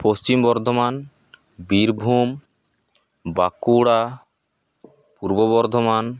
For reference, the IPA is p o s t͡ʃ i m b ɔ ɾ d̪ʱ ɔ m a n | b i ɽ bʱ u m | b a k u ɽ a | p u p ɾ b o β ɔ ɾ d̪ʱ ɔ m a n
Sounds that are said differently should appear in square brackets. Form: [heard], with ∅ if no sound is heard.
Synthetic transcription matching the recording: p o s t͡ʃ i m b ɔ ɾ d̪ʱ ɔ m a n | b i [ɾ] bʱ u m | b a k u ɽ a | p u [∅] ɾ b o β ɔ ɾ d̪ʱ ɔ m a n